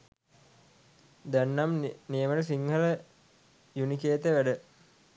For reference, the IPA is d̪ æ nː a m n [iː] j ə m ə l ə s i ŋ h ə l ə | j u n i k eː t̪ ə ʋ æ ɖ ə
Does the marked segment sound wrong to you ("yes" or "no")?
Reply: yes